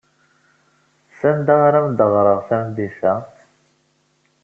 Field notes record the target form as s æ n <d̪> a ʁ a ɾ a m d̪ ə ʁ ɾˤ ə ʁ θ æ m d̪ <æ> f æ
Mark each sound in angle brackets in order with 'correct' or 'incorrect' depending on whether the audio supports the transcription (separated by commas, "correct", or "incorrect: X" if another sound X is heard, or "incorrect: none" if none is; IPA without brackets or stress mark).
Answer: correct, incorrect: i